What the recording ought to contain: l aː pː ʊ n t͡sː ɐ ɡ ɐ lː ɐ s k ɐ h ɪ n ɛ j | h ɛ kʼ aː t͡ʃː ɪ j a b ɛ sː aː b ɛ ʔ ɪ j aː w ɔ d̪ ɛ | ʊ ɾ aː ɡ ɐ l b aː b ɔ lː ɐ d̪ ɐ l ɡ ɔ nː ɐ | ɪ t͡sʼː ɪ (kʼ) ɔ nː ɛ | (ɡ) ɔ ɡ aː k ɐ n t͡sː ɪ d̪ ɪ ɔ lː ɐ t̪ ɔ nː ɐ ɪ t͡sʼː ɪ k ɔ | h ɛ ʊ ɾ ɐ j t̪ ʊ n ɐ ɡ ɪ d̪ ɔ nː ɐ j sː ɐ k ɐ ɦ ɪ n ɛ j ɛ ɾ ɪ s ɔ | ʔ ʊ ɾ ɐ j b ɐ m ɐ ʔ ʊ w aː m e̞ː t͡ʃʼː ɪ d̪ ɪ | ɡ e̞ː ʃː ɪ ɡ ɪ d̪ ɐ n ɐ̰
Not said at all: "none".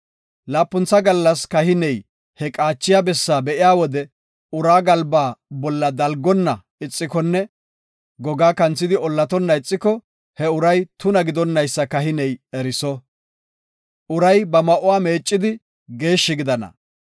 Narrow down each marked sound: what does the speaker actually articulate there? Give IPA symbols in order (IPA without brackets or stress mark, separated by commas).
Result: k, ɡ